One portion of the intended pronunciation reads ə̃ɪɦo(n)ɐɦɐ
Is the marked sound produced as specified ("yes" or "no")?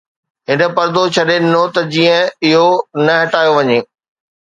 yes